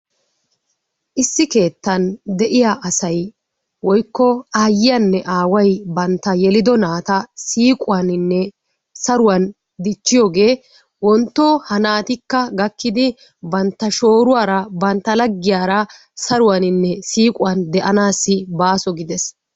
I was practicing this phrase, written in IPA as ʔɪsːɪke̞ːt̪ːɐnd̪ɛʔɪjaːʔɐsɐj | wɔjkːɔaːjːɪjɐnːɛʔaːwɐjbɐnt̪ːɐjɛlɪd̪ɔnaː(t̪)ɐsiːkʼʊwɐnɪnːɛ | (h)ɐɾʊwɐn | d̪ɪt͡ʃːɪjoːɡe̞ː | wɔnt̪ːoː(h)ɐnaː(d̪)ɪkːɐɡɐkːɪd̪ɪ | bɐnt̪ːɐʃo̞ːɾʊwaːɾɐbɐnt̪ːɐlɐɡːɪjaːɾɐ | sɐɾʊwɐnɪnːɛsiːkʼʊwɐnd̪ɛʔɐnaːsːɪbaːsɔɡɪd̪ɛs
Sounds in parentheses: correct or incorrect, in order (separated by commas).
correct, incorrect, correct, incorrect